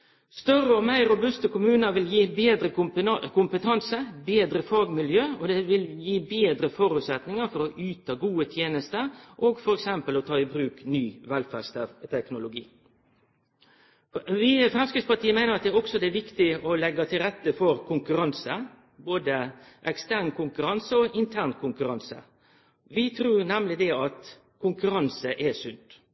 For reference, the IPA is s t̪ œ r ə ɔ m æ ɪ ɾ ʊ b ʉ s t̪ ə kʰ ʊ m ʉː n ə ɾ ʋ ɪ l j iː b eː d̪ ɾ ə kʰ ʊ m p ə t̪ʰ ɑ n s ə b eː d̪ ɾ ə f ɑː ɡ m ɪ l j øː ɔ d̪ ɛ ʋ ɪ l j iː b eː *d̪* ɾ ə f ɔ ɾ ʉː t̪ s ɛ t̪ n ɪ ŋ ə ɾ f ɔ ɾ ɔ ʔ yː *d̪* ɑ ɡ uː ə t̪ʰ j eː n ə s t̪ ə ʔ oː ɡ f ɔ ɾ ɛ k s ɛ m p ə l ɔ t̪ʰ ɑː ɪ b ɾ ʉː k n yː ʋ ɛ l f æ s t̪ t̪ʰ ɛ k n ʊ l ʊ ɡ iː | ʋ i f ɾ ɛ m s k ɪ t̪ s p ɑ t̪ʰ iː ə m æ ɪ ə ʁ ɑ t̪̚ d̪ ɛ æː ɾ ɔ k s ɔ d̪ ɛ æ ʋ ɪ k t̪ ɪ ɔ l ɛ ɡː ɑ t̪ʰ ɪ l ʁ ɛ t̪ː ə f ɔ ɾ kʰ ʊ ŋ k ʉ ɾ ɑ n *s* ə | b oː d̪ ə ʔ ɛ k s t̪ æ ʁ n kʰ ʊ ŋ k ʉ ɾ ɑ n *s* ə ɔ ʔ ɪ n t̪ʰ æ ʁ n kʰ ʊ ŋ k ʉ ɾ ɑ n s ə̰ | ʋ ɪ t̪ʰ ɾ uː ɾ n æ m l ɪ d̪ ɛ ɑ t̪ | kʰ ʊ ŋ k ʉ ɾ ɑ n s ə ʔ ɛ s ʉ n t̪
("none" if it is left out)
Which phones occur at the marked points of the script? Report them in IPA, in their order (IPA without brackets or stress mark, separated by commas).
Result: d̪, t̪, s, s